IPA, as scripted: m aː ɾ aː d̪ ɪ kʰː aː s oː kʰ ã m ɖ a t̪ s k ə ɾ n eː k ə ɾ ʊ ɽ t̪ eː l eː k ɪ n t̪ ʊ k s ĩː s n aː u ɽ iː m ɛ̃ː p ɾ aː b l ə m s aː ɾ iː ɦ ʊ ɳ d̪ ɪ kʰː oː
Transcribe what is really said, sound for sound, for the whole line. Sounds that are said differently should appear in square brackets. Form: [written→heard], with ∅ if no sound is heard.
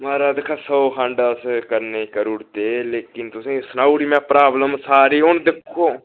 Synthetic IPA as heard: m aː ɾ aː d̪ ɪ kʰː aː s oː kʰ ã [m→ɳ] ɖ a [t̪→∅] s k ə ɾ n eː k ə ɾ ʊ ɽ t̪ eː l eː k ɪ n t̪ ʊ [k→∅] s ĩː s n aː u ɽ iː m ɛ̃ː p ɾ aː b l ə m s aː ɾ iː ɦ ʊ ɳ d̪ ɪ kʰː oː